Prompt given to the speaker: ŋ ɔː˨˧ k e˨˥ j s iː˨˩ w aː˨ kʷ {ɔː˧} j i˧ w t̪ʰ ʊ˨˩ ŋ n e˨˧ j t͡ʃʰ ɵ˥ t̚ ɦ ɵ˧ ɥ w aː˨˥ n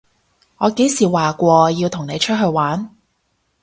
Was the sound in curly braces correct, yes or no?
yes